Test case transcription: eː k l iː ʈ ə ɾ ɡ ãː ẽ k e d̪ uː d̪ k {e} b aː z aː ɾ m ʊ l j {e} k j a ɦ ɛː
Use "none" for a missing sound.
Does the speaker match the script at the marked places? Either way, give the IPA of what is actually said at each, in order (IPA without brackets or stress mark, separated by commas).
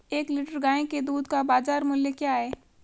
a, e